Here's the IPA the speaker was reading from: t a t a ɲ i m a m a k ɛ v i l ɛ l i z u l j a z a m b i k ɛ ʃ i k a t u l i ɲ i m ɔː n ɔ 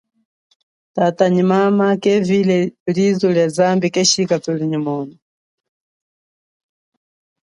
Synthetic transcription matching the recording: t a t a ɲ i m a m a k ɛ v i l ɛ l i z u l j a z a m b i k ɛ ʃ i k a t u l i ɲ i m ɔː n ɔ